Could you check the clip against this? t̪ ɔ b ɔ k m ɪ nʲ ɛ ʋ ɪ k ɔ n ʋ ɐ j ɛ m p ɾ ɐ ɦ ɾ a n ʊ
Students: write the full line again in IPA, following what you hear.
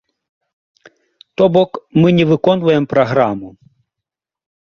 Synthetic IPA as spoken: t̪ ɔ b ɔ k m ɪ nʲ ɛ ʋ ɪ k ɔ n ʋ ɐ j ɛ m p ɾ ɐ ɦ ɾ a m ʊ